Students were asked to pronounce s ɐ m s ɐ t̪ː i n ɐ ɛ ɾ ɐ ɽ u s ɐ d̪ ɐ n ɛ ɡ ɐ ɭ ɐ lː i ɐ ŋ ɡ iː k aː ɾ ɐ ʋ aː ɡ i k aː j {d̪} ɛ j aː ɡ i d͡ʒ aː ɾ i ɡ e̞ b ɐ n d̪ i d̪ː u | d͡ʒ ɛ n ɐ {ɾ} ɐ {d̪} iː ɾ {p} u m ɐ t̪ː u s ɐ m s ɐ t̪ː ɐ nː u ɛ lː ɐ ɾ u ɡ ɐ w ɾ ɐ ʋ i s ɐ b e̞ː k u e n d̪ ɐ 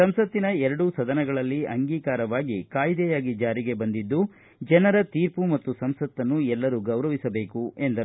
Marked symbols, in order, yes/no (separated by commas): yes, yes, no, yes